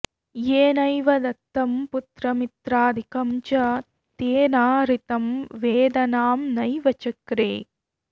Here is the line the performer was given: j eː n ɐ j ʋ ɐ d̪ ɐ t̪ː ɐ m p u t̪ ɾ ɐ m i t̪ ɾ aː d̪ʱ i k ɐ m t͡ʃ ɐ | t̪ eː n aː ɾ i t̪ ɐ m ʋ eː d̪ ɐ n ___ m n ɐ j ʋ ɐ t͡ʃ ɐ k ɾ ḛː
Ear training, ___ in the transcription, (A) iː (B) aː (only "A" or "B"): B